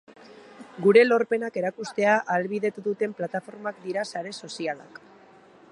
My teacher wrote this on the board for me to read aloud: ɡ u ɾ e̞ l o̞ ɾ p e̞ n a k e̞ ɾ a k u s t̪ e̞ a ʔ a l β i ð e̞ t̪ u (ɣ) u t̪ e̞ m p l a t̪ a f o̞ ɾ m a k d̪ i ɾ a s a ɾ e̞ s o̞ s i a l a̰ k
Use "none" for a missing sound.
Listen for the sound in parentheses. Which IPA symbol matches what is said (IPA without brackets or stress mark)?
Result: ð